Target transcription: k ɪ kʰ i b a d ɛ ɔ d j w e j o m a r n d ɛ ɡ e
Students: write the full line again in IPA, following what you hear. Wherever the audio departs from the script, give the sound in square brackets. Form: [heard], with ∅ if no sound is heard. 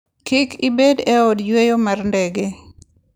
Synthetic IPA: k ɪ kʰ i b [e] d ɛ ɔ d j w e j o m a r n d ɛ ɡ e